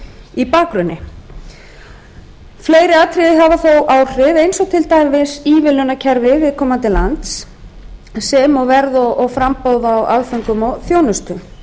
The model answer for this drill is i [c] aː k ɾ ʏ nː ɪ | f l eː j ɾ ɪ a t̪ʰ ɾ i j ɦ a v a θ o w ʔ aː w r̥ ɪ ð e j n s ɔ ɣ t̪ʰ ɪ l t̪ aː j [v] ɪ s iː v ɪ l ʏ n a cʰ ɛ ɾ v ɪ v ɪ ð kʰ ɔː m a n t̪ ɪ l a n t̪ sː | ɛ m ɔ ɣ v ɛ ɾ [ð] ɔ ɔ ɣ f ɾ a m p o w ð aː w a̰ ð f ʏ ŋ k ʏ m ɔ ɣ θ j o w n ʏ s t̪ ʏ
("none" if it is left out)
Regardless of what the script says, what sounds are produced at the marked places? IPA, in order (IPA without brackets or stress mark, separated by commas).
p, v, ð